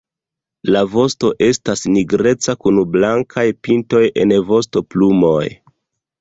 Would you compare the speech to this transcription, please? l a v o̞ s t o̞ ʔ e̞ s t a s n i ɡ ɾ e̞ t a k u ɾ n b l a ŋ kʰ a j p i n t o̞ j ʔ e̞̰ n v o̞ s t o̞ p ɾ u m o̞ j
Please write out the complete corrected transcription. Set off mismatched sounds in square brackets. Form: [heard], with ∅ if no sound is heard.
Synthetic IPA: l a v o̞ s t o̞ ʔ e̞ s t a s n i ɡ ɾ e̞ [t͡s] a k u [∅] n b l a ŋ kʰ a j p i n t o̞ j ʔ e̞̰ n v o̞ s t o̞ p [l] u m o̞ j